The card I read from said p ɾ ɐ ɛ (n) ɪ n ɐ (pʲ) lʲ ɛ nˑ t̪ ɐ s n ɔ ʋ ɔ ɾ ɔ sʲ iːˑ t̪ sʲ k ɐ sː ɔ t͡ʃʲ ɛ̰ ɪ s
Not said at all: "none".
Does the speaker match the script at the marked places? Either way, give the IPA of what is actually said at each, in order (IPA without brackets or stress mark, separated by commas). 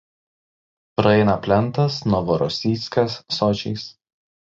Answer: none, pʲ